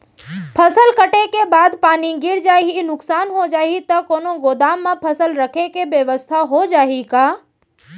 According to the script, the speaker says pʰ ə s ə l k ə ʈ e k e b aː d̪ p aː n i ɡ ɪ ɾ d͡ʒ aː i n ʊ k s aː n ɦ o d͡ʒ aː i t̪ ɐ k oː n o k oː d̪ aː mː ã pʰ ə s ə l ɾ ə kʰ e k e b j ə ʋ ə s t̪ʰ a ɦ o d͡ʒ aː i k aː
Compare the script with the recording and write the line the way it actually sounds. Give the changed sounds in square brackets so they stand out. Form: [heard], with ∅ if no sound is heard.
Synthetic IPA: pʰ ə s ə l k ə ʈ e k e b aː d̪ p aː n i ɡ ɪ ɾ d͡ʒ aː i n ʊ k s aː n ɦ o d͡ʒ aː i t̪ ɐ k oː n o [ɡ] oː d̪ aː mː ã pʰ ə s ə l ɾ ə kʰ e k e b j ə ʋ ə s t̪ʰ a ɦ o d͡ʒ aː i k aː